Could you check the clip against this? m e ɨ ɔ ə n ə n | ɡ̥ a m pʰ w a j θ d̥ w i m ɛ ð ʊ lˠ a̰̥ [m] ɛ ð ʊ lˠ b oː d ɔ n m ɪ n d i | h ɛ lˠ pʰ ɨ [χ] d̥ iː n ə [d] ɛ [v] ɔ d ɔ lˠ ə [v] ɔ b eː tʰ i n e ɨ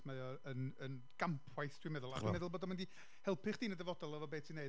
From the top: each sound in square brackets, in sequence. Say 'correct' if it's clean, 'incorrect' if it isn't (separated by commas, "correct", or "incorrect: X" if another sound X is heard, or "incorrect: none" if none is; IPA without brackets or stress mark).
correct, correct, correct, correct, correct